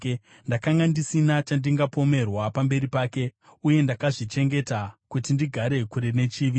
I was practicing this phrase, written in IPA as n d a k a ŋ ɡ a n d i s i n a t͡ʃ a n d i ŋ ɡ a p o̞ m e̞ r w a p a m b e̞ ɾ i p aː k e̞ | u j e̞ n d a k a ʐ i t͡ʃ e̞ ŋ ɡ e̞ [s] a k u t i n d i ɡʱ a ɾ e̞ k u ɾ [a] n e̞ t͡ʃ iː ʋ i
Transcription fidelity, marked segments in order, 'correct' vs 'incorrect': incorrect: t, incorrect: e

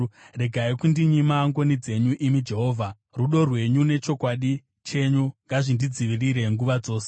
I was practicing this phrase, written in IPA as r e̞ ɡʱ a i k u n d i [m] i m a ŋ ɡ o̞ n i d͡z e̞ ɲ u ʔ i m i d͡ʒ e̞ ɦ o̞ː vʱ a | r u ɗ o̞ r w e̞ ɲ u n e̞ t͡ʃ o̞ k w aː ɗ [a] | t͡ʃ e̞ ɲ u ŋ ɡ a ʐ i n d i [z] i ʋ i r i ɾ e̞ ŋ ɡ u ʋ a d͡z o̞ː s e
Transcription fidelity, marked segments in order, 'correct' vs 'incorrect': incorrect: ɲ, incorrect: i, incorrect: d͡z

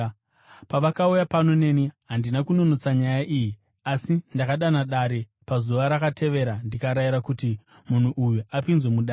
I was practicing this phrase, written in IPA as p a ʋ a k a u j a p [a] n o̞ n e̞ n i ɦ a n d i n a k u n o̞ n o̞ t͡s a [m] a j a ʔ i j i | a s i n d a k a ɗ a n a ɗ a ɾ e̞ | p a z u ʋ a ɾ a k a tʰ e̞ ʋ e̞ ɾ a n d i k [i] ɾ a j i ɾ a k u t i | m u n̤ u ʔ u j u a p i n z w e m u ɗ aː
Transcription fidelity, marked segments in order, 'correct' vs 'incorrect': correct, incorrect: ɲ, incorrect: a

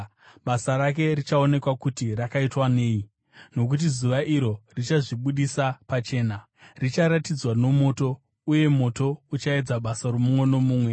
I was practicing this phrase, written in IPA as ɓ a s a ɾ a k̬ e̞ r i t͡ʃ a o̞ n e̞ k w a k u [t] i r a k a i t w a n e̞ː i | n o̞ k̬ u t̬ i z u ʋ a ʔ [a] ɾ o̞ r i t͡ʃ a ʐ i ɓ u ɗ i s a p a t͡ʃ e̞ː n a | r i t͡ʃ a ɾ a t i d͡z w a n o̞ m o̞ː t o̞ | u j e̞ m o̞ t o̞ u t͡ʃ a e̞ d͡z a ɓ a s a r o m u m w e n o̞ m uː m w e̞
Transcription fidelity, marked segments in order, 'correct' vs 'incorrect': correct, incorrect: i

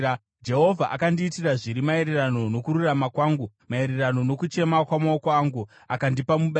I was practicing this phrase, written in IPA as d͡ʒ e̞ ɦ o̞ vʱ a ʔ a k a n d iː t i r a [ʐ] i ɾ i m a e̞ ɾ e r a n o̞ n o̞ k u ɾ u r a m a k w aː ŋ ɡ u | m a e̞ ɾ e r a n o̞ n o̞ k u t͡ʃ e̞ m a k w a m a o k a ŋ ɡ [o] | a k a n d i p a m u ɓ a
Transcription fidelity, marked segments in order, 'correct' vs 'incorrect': correct, incorrect: u

